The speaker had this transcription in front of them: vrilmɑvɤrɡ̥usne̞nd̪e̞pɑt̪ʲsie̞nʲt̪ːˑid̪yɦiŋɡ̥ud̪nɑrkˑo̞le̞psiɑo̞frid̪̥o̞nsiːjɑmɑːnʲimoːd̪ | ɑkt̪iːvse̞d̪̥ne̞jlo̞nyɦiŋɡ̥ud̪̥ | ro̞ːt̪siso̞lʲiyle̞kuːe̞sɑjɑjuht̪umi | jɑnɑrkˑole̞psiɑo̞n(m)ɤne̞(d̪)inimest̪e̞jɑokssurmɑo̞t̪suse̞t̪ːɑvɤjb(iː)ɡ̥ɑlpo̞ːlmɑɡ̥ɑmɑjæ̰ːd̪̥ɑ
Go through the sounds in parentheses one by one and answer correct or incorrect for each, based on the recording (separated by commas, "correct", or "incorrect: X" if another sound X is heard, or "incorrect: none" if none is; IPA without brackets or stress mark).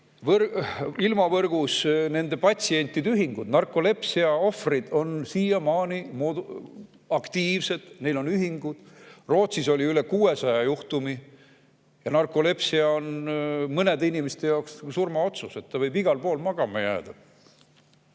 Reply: correct, correct, incorrect: i